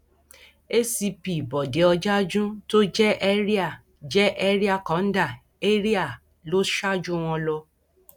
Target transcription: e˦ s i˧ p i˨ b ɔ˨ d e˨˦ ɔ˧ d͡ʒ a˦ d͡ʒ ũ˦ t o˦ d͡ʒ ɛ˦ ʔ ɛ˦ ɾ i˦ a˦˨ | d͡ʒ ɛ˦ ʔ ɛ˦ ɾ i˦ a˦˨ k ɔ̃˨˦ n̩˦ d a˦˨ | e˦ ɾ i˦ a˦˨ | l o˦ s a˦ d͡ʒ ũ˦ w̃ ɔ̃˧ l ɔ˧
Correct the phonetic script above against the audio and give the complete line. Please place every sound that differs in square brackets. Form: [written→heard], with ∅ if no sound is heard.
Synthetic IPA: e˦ s i˧ p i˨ b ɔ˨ d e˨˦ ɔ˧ d͡ʒ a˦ d͡ʒ ũ˦ t o˦ d͡ʒ ɛ˦ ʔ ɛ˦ ɾ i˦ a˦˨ | d͡ʒ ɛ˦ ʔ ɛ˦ ɾ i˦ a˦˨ k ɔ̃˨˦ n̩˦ d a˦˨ | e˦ ɾ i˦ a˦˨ | l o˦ [s→ʃ] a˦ d͡ʒ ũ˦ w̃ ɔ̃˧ l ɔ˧